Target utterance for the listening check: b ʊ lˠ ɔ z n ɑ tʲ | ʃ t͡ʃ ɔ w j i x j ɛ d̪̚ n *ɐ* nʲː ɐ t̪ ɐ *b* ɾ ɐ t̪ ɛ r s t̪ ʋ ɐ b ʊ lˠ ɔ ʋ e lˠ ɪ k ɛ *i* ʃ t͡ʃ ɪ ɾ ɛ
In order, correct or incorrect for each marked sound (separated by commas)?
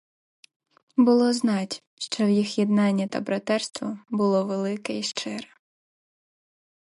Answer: incorrect, correct, correct